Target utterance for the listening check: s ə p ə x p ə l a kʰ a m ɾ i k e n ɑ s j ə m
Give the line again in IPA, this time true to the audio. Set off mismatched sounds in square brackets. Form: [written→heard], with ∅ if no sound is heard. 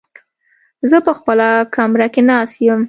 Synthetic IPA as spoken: [s→z] ə p ə x p ə l a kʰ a m ɾ [i→a] k e n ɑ s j ə m